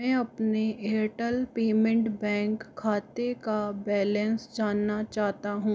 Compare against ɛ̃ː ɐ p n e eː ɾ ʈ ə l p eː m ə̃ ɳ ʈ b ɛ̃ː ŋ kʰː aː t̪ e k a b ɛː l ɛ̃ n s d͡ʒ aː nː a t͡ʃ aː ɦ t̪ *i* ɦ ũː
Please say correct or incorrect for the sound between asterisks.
incorrect